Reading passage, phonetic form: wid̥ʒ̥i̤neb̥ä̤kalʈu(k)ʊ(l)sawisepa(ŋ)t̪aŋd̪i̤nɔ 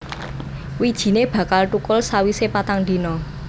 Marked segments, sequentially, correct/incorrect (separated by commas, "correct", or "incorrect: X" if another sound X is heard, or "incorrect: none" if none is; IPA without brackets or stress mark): correct, correct, incorrect: none